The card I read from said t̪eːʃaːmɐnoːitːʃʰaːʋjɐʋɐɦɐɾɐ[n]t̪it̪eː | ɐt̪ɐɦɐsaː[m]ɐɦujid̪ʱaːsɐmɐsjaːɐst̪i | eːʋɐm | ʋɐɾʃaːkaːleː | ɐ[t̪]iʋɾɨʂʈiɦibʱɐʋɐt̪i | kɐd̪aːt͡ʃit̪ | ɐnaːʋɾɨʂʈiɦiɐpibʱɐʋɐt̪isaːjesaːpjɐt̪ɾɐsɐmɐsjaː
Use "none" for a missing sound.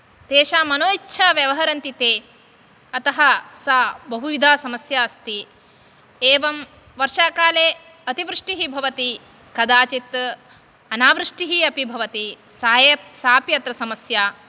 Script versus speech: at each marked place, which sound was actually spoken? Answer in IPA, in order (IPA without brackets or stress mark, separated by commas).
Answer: n, b, t̪